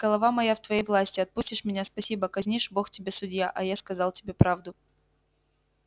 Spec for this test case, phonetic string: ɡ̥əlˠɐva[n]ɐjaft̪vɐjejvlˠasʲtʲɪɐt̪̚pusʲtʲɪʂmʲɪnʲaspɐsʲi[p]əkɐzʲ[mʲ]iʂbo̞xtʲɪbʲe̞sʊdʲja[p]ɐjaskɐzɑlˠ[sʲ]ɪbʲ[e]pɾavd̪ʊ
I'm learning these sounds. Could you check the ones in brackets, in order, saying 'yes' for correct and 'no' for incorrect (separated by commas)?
no, no, no, no, no, yes